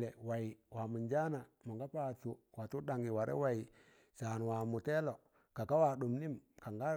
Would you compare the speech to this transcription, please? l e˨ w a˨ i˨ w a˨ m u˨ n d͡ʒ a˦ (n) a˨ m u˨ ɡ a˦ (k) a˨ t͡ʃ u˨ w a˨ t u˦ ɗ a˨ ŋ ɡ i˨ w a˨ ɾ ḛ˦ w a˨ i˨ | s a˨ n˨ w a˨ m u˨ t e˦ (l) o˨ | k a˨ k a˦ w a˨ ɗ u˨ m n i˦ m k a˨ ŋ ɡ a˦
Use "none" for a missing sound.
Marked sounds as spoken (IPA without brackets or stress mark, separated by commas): n, p, l